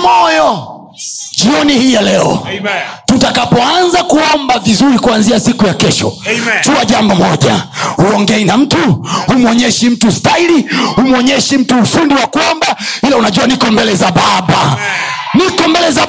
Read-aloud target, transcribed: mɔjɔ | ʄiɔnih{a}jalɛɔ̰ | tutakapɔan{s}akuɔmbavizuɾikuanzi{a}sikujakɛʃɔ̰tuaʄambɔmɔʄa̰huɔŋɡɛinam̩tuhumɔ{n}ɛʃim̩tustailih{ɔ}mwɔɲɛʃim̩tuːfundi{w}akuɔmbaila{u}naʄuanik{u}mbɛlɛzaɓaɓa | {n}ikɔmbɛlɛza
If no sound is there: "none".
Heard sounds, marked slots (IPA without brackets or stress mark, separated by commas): i, z, a, ɲ, u, w, u, ɔ, n